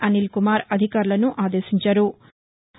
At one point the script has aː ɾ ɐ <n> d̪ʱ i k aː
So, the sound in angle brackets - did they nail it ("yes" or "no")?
no